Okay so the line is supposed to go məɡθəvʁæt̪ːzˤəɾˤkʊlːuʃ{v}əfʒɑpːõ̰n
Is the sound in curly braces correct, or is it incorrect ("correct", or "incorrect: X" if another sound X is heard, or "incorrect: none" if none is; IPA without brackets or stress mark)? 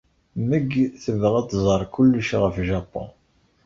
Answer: incorrect: ʁ